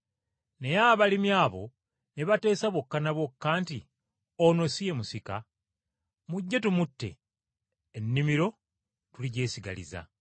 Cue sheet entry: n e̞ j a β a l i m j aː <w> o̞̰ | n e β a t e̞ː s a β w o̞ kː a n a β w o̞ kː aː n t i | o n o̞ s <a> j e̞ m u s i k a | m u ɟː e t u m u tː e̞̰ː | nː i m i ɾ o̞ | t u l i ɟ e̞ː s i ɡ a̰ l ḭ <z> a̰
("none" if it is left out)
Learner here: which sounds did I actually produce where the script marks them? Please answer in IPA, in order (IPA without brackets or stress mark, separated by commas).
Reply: β, i, z